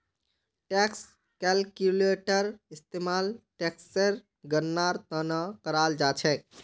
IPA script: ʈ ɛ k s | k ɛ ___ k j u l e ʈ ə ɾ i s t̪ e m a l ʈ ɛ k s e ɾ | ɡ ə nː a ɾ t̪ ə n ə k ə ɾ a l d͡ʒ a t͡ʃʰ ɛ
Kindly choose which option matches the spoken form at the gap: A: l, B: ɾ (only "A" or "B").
A